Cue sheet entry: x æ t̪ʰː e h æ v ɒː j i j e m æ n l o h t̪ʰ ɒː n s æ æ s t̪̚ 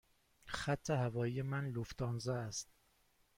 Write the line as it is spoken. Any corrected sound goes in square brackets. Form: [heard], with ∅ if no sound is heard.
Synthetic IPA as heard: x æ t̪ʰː e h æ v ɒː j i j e m æ n l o [f] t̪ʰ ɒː n [z] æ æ s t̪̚